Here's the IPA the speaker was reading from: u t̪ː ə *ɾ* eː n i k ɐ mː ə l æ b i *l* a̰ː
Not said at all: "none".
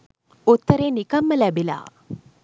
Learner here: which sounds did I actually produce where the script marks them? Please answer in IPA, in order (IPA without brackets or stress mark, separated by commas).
ɾ, l